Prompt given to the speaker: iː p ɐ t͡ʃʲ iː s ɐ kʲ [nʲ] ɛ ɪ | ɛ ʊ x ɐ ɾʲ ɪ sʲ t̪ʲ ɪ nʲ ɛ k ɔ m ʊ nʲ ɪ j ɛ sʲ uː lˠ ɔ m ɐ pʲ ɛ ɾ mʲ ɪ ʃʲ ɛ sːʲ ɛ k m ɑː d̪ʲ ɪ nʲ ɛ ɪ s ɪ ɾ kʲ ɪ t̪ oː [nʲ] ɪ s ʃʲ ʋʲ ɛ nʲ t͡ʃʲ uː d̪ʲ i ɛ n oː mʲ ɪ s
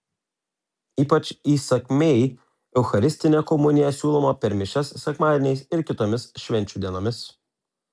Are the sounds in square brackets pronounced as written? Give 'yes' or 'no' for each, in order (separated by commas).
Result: no, no